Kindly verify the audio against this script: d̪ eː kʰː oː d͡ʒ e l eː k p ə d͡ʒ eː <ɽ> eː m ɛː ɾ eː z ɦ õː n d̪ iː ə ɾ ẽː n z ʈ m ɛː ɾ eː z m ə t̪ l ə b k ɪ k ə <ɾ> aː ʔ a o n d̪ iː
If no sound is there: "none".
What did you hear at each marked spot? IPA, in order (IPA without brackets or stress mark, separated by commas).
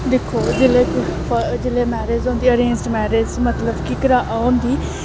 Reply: l, ɾ